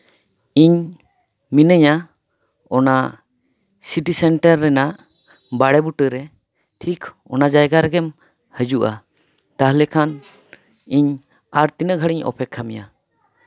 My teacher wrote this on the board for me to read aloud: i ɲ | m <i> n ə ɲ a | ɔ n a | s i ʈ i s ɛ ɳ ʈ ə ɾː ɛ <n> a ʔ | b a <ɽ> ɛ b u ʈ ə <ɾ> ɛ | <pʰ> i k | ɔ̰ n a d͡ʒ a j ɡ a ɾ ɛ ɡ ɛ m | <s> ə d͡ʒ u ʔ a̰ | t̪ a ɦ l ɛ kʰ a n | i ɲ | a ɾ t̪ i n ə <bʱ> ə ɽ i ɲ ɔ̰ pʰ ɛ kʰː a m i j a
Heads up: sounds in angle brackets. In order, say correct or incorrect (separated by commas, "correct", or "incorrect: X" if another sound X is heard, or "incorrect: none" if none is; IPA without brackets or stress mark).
correct, correct, correct, correct, incorrect: ʈʰ, incorrect: h, incorrect: ɡʱ